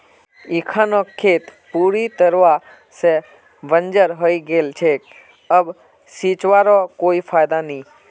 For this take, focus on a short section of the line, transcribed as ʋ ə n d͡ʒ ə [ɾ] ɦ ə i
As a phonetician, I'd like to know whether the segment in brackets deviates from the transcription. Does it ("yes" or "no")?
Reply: no